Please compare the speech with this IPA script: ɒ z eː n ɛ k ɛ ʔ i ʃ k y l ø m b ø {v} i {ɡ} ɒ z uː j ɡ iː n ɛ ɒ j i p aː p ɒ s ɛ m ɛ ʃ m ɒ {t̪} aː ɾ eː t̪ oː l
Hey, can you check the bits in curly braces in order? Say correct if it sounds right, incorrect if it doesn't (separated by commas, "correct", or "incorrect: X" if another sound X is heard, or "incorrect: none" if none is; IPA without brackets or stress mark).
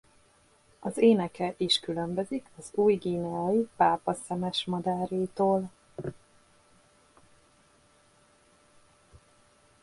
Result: incorrect: z, incorrect: k, incorrect: d̪